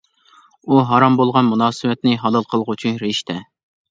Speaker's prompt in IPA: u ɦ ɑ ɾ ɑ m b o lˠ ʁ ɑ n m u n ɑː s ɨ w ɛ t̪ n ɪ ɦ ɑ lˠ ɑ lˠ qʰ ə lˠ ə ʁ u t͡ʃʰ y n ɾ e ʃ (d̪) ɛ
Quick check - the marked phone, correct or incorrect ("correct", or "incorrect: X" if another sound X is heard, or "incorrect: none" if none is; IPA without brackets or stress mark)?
incorrect: t̪